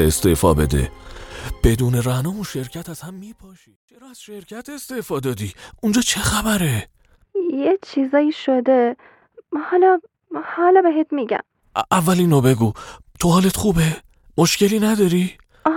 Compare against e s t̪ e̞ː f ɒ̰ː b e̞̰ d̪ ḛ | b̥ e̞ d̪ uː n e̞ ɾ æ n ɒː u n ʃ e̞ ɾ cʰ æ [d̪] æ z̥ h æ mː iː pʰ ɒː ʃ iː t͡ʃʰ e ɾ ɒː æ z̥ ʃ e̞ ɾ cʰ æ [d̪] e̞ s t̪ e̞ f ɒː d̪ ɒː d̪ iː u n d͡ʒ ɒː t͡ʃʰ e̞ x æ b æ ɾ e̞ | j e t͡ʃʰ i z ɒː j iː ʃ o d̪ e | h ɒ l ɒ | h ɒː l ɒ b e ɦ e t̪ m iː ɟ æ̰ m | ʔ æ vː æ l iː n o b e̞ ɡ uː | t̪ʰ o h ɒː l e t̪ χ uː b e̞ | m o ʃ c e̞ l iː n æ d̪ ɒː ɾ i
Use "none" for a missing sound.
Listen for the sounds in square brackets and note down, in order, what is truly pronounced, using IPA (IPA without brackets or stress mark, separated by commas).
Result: t̪, t̪